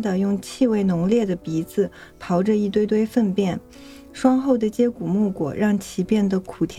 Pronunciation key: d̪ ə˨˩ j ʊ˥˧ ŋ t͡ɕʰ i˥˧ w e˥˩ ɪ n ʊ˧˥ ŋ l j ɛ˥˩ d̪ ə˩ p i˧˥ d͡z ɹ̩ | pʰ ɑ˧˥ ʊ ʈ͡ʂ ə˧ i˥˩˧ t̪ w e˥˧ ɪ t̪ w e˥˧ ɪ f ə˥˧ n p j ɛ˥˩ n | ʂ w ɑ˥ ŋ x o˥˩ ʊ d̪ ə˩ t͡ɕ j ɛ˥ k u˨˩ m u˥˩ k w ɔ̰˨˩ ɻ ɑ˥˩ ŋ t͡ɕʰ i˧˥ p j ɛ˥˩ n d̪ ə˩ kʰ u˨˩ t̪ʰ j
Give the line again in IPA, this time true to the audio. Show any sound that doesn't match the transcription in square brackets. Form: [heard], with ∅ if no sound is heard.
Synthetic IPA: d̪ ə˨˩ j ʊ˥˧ ŋ t͡ɕʰ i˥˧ w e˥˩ ɪ n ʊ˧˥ ŋ l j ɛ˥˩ d̪ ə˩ p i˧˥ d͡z ɹ̩ | pʰ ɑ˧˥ ʊ ʈ͡ʂ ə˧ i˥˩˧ t̪ w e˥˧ ɪ t̪ w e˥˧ ɪ f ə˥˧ n p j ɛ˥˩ n | ʂ w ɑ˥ ŋ x o˥˩ ʊ d̪ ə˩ t͡ɕ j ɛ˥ k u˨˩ m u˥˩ k w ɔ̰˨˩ ɻ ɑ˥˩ ŋ t͡ɕʰ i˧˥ p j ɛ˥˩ n d̪ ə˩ kʰ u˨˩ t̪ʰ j